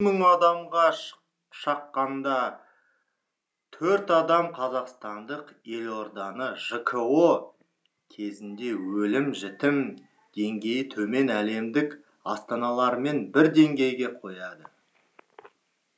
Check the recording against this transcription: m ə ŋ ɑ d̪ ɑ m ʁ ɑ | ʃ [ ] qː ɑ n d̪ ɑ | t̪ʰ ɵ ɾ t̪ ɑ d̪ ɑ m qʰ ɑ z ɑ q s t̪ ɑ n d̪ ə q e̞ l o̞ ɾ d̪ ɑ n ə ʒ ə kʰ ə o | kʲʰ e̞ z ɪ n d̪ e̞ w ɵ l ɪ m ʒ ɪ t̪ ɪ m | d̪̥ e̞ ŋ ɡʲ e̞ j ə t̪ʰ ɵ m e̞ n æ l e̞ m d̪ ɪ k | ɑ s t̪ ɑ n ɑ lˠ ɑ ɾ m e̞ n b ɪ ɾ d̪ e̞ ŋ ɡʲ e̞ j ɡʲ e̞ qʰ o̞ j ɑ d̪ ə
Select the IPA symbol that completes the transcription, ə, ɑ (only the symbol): ɑ